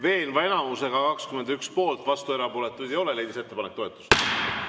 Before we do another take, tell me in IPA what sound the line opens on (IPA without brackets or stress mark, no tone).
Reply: v